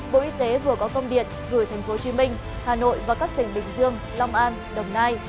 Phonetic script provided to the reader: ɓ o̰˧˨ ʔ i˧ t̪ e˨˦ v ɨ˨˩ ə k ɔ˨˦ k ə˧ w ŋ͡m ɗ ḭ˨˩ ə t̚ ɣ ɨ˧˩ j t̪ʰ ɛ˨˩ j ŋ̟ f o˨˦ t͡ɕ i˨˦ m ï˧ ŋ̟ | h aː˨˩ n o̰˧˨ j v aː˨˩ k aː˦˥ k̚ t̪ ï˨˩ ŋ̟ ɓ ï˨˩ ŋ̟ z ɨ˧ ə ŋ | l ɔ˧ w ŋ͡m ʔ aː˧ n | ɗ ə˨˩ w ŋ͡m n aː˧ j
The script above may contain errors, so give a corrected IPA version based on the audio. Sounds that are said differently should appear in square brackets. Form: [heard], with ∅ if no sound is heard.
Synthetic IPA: ɓ o̰˧˨ ʔ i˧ t̪ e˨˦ v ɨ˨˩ ə k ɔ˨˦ k ə˧ w ŋ͡m ɗ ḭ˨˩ ə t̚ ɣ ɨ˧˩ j t̪ʰ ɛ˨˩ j ŋ̟ f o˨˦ t͡ɕ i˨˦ m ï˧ ŋ̟ | h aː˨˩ n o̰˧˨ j v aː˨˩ k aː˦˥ k̚ t̪ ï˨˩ ŋ̟ ɓ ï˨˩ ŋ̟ z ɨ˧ ə ŋ | l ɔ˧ w ŋ͡m ʔ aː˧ n | ɗ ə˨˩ w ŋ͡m n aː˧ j